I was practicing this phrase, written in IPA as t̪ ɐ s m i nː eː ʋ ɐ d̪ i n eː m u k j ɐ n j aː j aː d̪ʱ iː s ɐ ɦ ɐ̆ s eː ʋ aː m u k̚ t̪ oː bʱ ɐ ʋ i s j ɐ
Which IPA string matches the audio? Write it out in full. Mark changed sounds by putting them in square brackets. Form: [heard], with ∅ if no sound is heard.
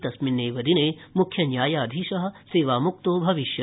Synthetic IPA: t̪ ɐ s m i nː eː ʋ ɐ d̪ i n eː m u [kʰ] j ɐ n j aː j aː d̪ʱ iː [ʃ] ɐ ɦ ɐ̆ s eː ʋ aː m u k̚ t̪ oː bʱ ɐ ʋ i [ʃ] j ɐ